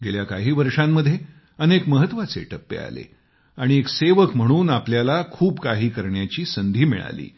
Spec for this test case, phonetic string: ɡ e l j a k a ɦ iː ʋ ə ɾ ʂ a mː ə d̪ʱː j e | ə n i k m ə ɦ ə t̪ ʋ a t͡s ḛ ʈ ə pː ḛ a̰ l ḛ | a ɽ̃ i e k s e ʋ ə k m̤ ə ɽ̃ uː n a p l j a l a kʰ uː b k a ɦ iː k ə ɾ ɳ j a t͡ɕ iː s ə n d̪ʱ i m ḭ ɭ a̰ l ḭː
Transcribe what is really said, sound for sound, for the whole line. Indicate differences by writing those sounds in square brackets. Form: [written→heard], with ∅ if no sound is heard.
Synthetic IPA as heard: ɡ e l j a k a ɦ iː ʋ ə ɾ ʂ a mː ə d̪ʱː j e | ə n [i→e] k m ə ɦ ə t̪ ʋ a t͡s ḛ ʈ ə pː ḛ a̰ l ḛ | a ɽ̃ i e k s e ʋ ə k m̤ ə ɽ̃ uː n a p l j a l a kʰ uː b k a ɦ iː k ə ɾ ɳ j a t͡ɕ iː s ə n d̪ʱ [i→iː] m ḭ ɭ a̰ l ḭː

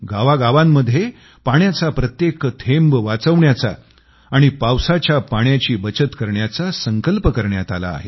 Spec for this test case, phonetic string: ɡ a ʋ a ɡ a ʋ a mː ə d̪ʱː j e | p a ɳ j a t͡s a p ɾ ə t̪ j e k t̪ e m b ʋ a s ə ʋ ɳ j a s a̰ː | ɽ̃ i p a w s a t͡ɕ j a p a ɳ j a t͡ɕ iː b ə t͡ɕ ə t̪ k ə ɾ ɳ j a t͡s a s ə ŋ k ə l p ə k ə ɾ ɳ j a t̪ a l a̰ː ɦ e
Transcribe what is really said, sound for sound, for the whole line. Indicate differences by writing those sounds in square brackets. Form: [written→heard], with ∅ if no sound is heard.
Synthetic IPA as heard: ɡ a ʋ a ɡ a ʋ a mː ə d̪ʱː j e | p a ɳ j a t͡s a p ɾ ə t̪ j e k [t̪→t̪ʰ] e m b ʋ a [s→t͡s] ə ʋ ɳ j a [s→t͡s] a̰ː | ɽ̃ i p a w s a t͡ɕ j a p a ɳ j a t͡ɕ iː b ə t͡ɕ ə t̪ k ə ɾ ɳ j a t͡s a s ə ŋ k ə l p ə k ə ɾ ɳ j a t̪ a l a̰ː ɦ e

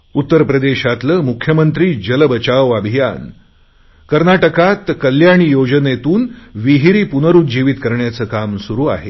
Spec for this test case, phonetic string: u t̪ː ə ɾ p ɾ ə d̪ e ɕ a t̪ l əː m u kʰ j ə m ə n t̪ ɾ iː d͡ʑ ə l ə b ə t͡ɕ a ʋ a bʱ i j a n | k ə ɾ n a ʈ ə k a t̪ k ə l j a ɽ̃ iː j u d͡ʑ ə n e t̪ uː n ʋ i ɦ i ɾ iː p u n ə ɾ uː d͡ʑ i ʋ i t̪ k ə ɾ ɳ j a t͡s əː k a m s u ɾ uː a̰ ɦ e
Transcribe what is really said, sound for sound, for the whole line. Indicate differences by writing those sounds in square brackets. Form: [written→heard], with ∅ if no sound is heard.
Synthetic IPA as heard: u t̪ː ə ɾ p ɾ ə d̪ e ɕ a t̪ l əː m u kʰ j ə m ə n t̪ ɾ iː d͡ʑ ə l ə b ə t͡ɕ a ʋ a bʱ i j a n | k ə ɾ n a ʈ ə k a t̪ k ə l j a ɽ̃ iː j [u→o] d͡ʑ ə n e t̪ uː n ʋ i ɦ i ɾ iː p u n ə ɾ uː d͡ʑ i ʋ i t̪ k ə ɾ ɳ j a t͡s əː k a m s u ɾ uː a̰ ɦ e

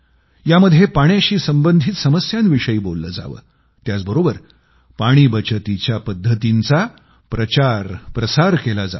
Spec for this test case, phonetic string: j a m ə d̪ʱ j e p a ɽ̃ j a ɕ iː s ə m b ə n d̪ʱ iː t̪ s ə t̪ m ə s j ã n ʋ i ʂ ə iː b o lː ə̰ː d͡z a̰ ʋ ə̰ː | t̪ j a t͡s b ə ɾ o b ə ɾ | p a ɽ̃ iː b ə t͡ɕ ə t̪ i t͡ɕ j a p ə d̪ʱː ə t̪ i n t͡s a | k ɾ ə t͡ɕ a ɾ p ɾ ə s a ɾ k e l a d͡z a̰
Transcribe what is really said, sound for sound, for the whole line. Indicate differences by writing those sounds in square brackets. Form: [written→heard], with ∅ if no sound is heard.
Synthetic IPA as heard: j a m ə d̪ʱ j e p a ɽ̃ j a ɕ iː s ə m b ə n d̪ʱ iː t̪ s ə [t̪→∅] m ə s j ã n ʋ i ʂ ə iː b o lː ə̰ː d͡z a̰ ʋ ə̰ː | t̪ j a t͡s b ə ɾ o b ə ɾ | p a ɽ̃ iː b ə t͡ɕ ə t̪ i t͡ɕ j a p ə d̪ʱː ə t̪ i n t͡s a | [k→p] ɾ ə t͡ɕ a ɾ p ɾ ə s a ɾ k e l a d͡z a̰

